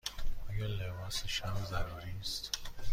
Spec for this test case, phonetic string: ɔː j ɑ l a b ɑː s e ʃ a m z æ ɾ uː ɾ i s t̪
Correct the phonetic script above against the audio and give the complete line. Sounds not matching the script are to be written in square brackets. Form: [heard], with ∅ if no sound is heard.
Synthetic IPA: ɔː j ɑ l [e] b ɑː s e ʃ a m z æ ɾ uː ɾ i s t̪